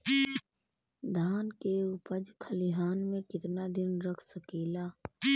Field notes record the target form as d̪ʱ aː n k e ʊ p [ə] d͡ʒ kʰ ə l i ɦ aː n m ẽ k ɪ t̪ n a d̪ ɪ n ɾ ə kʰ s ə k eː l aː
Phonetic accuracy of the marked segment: correct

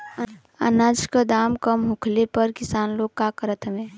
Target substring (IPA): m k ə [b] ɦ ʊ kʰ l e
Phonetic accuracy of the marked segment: incorrect: m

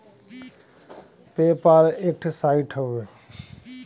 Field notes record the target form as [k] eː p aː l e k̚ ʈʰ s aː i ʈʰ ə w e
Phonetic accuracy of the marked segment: incorrect: p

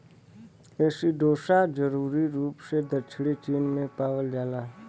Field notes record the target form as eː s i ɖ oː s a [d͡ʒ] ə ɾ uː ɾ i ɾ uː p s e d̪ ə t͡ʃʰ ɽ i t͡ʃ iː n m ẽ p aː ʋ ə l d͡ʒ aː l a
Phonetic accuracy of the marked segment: correct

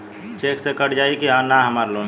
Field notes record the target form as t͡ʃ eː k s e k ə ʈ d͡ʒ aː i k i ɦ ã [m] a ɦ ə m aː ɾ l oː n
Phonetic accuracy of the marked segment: incorrect: n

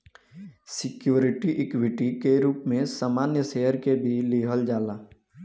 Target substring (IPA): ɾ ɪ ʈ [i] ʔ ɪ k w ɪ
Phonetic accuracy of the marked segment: correct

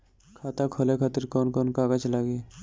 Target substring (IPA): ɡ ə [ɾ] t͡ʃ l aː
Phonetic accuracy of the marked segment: incorrect: none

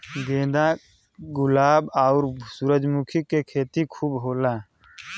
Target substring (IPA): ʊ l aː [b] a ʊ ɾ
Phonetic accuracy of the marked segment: correct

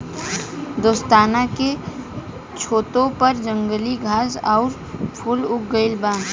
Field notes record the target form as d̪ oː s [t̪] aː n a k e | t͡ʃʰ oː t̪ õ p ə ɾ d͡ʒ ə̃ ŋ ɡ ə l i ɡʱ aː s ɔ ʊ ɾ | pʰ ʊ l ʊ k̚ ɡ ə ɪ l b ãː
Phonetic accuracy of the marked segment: correct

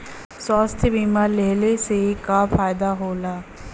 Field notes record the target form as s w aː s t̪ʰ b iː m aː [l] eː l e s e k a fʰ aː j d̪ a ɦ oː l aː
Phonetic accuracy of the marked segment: correct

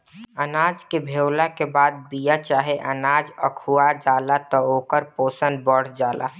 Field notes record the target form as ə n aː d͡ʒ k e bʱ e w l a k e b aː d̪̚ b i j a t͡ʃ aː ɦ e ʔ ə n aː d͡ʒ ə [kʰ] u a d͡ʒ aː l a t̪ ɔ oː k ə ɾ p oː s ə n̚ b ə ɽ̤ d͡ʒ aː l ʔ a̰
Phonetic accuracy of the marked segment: correct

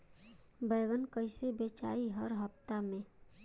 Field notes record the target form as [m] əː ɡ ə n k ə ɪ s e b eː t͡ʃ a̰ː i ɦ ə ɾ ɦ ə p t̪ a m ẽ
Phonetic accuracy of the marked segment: incorrect: b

